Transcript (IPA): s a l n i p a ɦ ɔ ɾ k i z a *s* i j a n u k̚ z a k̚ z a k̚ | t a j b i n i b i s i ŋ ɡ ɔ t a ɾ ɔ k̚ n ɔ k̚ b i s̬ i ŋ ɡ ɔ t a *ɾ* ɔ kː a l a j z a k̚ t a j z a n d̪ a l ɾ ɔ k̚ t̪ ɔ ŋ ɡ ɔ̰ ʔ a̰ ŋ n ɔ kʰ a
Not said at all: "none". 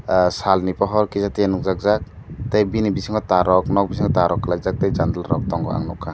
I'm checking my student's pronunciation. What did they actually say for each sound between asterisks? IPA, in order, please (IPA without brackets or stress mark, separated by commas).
t, ɾ